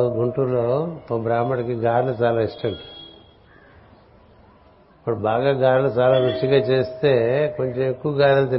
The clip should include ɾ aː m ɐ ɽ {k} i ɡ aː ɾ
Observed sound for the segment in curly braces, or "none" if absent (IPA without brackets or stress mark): k